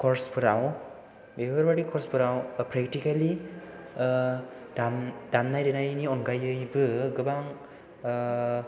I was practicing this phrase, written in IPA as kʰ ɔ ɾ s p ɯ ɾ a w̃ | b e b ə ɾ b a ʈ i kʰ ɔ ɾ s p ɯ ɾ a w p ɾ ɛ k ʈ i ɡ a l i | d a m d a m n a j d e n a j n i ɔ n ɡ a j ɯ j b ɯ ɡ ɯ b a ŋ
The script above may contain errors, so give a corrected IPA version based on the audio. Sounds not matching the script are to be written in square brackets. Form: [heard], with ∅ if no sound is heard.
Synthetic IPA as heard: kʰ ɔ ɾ s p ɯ ɾ a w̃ | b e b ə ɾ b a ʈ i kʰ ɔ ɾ s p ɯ ɾ a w p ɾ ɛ k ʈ i [k] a l i | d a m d a m n a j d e n a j n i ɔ n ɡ a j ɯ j b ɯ ɡ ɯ b a ŋ